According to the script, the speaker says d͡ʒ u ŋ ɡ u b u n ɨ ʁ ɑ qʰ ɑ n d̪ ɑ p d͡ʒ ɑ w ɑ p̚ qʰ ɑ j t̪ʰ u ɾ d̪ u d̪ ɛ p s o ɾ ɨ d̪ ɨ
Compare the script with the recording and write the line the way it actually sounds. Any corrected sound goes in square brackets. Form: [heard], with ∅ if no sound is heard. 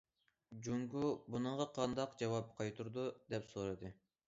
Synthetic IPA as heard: d͡ʒ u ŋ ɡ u b u n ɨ ʁ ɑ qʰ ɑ n d̪ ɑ [q] d͡ʒ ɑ w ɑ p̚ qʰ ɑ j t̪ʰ u ɾ d̪ u d̪ ɛ p s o ɾ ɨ d̪ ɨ